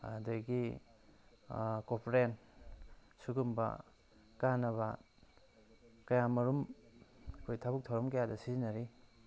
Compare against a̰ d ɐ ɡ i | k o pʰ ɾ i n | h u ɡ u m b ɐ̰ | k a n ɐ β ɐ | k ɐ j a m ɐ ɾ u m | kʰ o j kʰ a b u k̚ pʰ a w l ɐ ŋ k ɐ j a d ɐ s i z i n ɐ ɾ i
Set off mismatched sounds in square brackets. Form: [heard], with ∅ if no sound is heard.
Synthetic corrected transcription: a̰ d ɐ ɡ i | k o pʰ ɾ [e] n | [s] u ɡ u m b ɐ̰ | k a n ɐ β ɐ | k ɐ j a m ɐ ɾ u m | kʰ o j [tʰ] a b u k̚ [tʰ] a w [ɾ] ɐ [m] k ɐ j a d ɐ s i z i n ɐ ɾ i